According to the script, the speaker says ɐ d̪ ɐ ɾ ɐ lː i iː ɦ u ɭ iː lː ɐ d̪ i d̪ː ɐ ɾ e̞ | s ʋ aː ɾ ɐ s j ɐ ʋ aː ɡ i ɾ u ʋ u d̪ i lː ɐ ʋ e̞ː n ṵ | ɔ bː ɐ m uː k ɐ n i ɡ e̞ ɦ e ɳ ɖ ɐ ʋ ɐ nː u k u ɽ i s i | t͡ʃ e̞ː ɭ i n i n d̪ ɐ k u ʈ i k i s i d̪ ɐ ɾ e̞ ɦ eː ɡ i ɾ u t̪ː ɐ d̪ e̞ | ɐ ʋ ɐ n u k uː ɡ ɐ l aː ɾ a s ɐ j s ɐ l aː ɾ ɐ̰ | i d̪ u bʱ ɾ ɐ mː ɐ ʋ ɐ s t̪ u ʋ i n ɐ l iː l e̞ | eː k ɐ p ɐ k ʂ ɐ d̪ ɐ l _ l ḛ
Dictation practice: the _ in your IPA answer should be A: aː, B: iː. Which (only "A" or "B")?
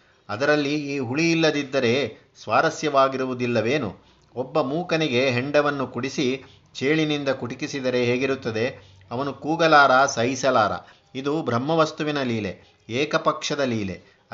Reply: B